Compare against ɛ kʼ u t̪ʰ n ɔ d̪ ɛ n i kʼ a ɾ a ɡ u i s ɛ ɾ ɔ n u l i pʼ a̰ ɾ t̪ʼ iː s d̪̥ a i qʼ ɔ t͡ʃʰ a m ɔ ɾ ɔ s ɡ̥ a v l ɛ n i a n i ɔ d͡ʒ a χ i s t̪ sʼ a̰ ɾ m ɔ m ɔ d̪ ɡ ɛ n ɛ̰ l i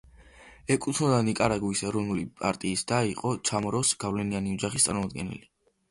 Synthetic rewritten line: ɛ kʼ u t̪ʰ n ɔ d̪ a n i kʼ a ɾ a ɡ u i s ɛ ɾ ɔ n u l i pʼ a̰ ɾ t̪ʼ iː s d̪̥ a i qʼ ɔ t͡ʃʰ a m ɔ ɾ ɔ s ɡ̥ a v l ɛ n i a n i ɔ d͡ʒ a χ i s t̪ sʼ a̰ ɾ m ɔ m ɔ d̪ ɡ ɛ n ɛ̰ l i